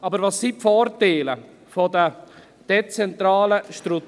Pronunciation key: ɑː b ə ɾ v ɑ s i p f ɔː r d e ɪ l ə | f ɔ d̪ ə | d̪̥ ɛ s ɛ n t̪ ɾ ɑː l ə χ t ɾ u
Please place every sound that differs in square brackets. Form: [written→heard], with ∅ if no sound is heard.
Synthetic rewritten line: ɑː b ə ɾ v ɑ s i p f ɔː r [d→t] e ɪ l ə | f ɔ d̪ ə | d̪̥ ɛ [s→t͡s] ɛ n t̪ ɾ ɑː l ə [χ→ʃ] t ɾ u